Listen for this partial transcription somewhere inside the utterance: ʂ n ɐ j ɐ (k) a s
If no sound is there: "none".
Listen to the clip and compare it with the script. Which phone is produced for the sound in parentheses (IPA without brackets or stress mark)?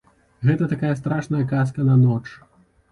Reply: k